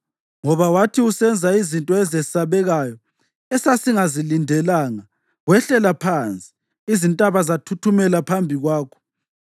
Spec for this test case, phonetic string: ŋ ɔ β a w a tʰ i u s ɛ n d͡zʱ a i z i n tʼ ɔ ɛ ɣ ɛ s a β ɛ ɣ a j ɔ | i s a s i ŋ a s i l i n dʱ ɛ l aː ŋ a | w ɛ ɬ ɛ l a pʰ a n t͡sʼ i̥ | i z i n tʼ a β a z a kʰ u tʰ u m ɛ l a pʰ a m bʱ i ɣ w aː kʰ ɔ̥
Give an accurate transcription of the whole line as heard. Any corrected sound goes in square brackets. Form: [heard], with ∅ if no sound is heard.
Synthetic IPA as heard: ŋ ɔ β a w a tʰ i u s ɛ n d͡zʱ a i z i n tʼ ɔ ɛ [z] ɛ s a β ɛ ɣ a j ɔ | [ɛ] s a s i ŋ a [z] i l i n dʱ ɛ l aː ŋ a | w ɛ ɬ ɛ l a pʰ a n t͡sʼ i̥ | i z i n tʼ a β a z a [tʰ] u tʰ u m ɛ l a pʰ a m bʱ i ɣ w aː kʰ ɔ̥